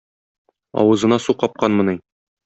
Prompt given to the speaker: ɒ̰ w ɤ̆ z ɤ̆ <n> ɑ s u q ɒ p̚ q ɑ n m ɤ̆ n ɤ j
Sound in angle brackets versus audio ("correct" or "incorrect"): correct